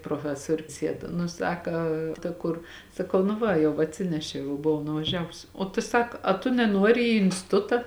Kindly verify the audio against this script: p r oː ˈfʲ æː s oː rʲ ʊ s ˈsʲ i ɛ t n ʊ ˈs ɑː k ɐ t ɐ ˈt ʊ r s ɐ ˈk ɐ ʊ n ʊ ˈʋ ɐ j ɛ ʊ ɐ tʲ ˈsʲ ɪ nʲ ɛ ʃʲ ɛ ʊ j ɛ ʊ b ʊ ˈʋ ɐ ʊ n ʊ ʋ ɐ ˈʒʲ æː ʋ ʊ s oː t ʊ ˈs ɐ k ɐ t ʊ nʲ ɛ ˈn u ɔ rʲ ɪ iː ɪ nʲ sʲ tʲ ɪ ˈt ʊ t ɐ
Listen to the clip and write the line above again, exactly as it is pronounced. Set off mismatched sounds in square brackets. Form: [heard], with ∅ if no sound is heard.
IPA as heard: p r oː ˈfʲ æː s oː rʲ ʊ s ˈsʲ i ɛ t n ʊ ˈs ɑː k ɐ t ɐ [ˈk] ʊ r s ɐ ˈk ɐ ʊ n ʊ ˈʋ ɐ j ɛ ʊ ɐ tʲ ˈsʲ ɪ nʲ ɛ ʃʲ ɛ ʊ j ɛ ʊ b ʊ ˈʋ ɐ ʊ n ʊ ʋ ɐ ˈʒʲ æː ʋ ʊ s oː t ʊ ˈs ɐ k ɐ t ʊ nʲ ɛ ˈn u ɔ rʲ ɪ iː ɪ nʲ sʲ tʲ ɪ ˈt ʊ t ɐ